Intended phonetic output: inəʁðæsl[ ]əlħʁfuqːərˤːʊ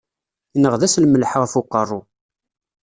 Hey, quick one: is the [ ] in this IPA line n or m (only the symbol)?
m